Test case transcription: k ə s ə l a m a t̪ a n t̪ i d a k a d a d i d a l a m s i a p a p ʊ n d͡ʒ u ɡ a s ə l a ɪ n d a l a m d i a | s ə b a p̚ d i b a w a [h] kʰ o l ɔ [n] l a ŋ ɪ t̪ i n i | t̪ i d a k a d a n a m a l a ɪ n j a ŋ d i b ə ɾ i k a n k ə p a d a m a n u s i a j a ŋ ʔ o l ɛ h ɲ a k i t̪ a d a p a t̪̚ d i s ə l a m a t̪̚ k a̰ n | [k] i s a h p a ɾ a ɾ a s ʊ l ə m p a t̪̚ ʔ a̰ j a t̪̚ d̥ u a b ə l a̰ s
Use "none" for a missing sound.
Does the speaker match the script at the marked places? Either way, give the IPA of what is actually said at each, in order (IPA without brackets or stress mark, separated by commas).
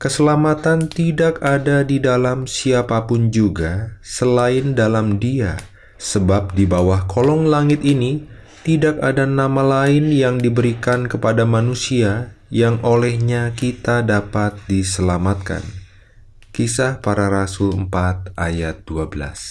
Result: h, ŋ, k